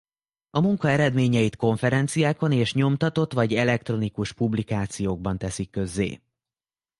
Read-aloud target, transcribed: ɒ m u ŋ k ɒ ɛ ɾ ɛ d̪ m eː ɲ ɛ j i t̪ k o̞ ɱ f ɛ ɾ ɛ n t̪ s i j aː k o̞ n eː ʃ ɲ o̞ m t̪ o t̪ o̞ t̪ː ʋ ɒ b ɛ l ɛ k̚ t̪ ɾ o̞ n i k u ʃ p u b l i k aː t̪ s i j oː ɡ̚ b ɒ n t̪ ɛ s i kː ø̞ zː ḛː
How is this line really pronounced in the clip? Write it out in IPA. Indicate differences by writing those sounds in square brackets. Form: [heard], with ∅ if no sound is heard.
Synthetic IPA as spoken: ɒ m u ŋ k ɒ ɛ ɾ ɛ d̪ m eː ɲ ɛ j i t̪ k o̞ ɱ f ɛ ɾ ɛ n t̪ s i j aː k o̞ n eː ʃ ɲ o̞ m t̪ [ɒ] t̪ o̞ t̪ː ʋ ɒ [ɟ] ɛ l ɛ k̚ t̪ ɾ o̞ n i k u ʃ p u b l i k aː t̪ s i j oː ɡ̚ b ɒ n t̪ ɛ s i kː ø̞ zː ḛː